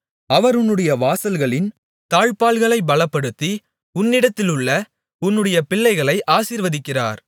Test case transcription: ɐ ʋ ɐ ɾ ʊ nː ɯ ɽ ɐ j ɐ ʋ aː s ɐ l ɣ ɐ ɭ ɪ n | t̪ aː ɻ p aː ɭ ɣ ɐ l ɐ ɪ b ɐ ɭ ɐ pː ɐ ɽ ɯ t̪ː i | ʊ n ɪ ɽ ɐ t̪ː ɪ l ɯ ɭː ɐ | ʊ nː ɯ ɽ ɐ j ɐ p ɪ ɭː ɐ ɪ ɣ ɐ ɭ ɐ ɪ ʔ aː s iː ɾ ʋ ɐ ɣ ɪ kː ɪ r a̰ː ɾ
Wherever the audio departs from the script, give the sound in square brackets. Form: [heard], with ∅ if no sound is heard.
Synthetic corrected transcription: ɐ ʋ ɐ ɾ ʊ nː ɯ ɽ ɐ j ɐ ʋ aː s ɐ l ɣ ɐ ɭ ɪ n | t̪ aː ɻ p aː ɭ ɣ ɐ [ɭ] ɐ ɪ b ɐ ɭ ɐ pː ɐ ɽ ɯ t̪ː i | ʊ [nː] ɪ ɽ ɐ t̪ː ɪ l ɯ ɭː ɐ | ʊ nː ɯ ɽ ɐ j ɐ p ɪ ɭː ɐ ɪ ɣ ɐ ɭ ɐ ɪ ʔ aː s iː ɾ ʋ ɐ [ð] ɪ kː ɪ r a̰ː ɾ